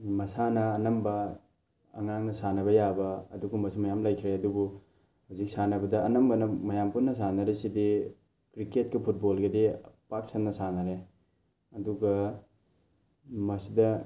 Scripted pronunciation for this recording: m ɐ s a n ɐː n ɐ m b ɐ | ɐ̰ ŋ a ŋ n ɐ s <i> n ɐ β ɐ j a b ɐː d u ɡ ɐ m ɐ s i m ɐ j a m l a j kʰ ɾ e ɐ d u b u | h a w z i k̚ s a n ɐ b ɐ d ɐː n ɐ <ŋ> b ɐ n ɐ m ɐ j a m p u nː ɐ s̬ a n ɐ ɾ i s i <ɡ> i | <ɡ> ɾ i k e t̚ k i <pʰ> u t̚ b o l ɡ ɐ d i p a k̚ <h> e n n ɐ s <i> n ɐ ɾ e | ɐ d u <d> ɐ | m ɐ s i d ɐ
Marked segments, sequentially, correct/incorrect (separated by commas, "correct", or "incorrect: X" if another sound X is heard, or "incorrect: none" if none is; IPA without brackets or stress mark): incorrect: a, incorrect: m, incorrect: d, incorrect: k, correct, incorrect: s, incorrect: a, incorrect: ɡ